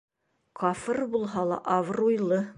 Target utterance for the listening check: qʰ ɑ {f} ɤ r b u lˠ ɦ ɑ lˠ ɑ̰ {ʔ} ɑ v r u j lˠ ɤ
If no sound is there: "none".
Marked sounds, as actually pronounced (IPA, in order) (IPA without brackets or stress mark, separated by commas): f, ʔ